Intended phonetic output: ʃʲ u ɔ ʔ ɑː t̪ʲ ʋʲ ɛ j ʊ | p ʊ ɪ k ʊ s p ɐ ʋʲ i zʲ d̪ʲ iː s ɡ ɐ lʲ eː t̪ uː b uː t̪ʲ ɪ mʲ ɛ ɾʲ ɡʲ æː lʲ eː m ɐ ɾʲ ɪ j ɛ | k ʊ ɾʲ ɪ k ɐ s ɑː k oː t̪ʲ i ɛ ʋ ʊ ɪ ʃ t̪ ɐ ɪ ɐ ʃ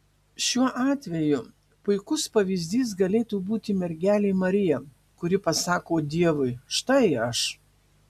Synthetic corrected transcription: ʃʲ u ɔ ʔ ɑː t̪ʲ ʋʲ ɛ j ʊ | p ʊ ɪ k ʊ s p ɐ ʋʲ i zʲ d̪ʲ iː s ɡ ɐ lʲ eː t̪ uː b uː t̪ʲ ɪ mʲ ɛ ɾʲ ɡʲ æː lʲ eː m ɐ ɾʲ ɪ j ɛ | k ʊ ɾʲ ɪ p ɐ s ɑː k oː d̪ʲ i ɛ ʋ ʊ ɪ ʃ t̪ ɐ ɪ ɐ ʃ